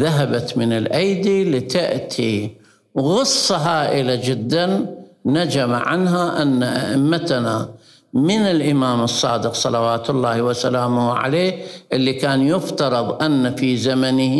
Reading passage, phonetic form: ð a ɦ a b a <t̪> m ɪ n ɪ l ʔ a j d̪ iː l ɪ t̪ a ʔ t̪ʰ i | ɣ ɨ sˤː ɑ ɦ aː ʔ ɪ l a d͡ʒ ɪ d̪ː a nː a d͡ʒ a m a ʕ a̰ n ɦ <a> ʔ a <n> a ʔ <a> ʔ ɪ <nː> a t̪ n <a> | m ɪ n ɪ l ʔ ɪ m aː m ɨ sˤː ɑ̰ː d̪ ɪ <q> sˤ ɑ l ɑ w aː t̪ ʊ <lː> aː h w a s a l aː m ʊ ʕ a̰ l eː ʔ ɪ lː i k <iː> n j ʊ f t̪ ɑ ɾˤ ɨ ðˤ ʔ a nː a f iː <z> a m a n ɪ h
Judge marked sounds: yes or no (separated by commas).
yes, yes, no, yes, no, yes, yes, yes, no, yes